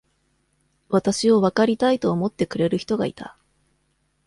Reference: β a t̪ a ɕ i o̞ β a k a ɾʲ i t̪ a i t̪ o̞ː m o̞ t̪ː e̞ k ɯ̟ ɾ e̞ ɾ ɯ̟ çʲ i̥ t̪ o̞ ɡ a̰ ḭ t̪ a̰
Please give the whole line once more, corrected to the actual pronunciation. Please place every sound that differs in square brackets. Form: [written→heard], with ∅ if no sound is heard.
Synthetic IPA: β a t̪ a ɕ i o̞ β a k a ɾʲ i t̪ a i t̪ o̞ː m o̞ t̪ː e̞ k ɯ̟ ɾ e̞ ɾ ɯ̟ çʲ i̥ t̪ o̞ ɡ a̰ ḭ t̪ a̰